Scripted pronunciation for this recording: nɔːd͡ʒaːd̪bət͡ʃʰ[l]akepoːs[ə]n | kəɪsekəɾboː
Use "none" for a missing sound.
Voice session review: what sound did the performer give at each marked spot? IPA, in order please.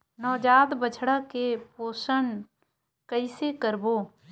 ɽ, ə

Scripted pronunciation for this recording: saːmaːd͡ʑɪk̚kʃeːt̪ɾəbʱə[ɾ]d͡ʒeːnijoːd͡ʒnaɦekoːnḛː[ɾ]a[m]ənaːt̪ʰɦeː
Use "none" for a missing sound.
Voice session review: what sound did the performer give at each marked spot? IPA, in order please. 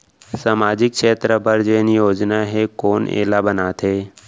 ɾ, l, b

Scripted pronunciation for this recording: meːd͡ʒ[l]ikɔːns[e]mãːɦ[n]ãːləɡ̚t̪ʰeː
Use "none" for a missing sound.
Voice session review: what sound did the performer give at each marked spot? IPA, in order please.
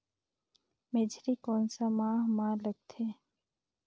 ɾ, a, m

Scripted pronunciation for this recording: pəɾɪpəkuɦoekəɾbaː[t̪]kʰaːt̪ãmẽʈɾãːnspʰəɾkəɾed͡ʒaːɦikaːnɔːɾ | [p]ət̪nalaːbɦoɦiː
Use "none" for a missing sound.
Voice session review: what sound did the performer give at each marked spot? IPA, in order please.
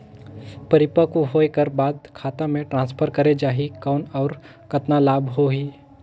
d̪, k

